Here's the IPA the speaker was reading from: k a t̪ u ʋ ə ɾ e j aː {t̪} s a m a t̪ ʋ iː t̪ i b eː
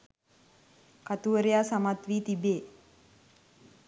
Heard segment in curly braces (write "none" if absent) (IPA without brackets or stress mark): none